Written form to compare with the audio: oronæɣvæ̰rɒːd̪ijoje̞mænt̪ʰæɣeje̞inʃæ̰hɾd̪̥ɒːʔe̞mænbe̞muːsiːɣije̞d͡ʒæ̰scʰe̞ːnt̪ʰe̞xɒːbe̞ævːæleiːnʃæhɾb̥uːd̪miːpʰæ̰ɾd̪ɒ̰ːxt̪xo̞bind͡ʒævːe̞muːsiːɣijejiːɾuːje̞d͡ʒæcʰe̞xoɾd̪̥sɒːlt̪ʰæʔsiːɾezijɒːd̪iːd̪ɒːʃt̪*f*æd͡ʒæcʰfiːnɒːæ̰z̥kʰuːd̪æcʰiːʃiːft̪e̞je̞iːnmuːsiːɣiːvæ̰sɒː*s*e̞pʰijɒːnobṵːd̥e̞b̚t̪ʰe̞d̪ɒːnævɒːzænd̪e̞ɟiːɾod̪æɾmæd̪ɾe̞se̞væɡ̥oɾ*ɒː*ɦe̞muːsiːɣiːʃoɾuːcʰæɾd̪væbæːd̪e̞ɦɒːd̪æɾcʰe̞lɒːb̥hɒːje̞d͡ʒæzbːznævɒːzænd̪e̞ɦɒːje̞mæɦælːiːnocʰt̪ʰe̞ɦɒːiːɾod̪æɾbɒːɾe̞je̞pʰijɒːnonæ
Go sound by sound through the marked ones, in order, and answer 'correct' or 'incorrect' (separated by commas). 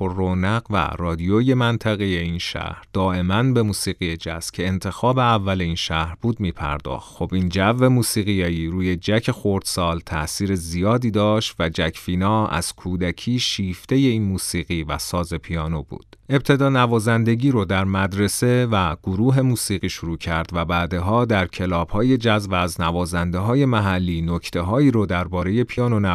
incorrect, incorrect, incorrect